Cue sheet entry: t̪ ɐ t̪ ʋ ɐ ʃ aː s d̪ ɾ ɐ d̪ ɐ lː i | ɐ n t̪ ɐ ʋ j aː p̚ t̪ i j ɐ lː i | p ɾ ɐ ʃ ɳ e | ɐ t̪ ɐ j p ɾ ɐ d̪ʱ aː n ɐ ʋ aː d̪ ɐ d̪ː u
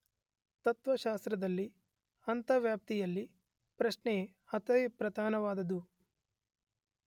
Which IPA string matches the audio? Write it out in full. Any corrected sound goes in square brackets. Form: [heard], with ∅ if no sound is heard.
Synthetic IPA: t̪ ɐ t̪ ʋ ɐ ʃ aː s [t̪] ɾ ɐ d̪ ɐ lː i | ɐ n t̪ ɐ ʋ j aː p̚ t̪ i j ɐ lː i | p ɾ ɐ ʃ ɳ e | ɐ t̪ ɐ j p ɾ ɐ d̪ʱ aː n ɐ ʋ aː d̪ ɐ [d̪] u